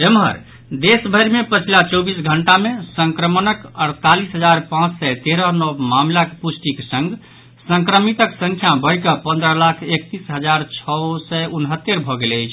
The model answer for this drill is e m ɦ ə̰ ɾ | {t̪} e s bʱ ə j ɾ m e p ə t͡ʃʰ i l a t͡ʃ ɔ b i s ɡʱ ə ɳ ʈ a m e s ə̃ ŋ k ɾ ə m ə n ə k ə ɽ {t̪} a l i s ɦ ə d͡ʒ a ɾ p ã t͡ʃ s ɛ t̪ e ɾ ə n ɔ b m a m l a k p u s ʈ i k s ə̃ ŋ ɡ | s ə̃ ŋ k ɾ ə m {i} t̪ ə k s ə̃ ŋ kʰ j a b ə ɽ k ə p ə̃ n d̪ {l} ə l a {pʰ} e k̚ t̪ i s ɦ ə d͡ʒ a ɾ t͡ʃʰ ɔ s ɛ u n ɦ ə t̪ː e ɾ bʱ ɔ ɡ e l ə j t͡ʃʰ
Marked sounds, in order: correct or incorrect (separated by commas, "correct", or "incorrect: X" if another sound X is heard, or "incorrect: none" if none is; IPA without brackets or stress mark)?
incorrect: d̪, correct, correct, incorrect: ɾ, incorrect: kʰ